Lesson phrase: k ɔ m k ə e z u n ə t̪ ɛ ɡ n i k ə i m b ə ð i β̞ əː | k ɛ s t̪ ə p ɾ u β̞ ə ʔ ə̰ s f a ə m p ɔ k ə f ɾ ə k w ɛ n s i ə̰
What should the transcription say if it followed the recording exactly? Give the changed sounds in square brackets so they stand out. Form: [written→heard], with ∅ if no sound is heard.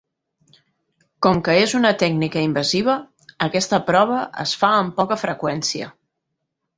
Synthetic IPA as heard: k ɔ m k ə e z u n ə t̪ ɛ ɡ n i k ə i m b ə [ð→z] i β̞ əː | k ɛ s t̪ ə p ɾ [u→ɔ] β̞ ə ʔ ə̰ s f a ə m p ɔ k ə f ɾ ə k w ɛ n s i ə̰